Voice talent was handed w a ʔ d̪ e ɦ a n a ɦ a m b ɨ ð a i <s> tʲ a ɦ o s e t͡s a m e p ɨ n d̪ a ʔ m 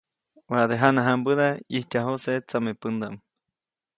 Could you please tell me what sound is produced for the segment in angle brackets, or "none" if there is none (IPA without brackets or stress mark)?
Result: h